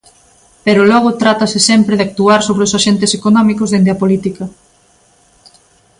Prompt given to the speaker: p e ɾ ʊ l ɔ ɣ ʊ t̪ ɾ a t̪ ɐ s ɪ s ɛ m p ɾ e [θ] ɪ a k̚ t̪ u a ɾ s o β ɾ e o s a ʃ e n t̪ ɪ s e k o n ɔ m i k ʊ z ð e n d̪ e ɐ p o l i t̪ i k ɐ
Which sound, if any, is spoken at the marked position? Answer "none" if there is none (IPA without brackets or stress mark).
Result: ð